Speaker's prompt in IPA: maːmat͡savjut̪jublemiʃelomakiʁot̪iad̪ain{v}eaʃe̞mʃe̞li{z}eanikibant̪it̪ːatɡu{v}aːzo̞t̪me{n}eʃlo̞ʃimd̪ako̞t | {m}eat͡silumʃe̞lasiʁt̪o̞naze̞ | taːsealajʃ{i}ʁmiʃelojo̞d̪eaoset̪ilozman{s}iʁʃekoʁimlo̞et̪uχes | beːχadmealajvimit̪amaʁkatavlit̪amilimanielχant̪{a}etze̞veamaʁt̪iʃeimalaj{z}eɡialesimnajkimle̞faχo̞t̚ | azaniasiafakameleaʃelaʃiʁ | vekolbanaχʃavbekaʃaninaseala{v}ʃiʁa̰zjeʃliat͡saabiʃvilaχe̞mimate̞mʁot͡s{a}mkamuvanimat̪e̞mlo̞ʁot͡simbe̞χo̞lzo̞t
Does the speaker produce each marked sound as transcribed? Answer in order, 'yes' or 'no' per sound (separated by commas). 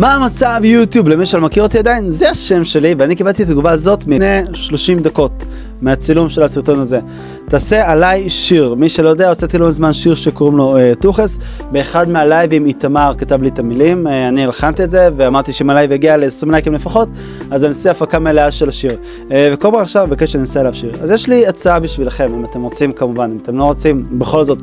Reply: no, no, yes, yes, yes, yes, no, no, no, yes, no